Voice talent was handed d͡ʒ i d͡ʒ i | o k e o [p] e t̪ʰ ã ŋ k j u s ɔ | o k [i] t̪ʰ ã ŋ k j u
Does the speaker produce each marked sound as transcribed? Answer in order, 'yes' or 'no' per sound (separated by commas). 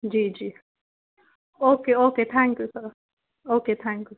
no, no